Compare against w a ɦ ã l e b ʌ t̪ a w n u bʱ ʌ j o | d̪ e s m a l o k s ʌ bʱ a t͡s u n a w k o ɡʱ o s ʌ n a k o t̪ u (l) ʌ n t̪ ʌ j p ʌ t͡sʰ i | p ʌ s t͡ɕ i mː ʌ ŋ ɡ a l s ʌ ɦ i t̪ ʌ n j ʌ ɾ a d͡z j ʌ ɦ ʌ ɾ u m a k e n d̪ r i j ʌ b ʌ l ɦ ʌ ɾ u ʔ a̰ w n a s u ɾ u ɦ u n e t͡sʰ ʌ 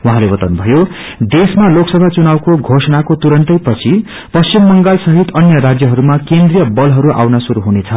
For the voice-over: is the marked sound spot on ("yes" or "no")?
no